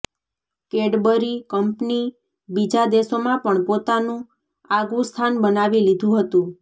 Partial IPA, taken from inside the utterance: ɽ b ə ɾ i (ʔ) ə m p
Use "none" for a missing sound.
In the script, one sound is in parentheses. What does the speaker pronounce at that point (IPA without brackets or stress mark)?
k